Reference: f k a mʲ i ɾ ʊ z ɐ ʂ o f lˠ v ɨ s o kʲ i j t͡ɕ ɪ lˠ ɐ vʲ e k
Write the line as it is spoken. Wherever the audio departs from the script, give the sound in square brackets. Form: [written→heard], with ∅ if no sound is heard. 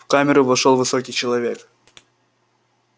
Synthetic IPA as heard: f k a mʲ [i→ɪ] ɾ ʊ [z→v] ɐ ʂ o [f→∅] lˠ v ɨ s o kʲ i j t͡ɕ ɪ lˠ ɐ vʲ e k